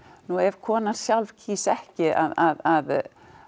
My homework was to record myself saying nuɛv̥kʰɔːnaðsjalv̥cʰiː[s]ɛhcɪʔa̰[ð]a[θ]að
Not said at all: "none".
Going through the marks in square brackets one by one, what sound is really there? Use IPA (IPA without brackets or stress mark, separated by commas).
s, ð, ð